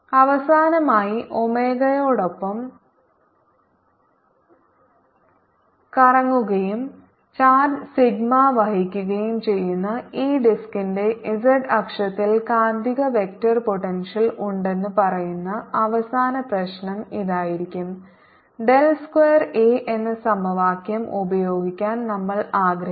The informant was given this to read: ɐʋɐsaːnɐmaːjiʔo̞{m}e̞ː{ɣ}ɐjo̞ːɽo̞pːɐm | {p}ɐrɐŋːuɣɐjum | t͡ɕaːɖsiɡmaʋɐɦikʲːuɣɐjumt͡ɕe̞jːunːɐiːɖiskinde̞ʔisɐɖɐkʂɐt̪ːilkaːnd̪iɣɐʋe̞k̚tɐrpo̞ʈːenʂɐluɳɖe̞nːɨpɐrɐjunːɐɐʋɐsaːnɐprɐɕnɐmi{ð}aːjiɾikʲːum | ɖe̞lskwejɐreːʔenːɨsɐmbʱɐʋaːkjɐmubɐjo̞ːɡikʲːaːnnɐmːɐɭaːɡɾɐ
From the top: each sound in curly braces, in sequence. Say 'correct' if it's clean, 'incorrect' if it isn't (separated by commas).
correct, correct, incorrect, correct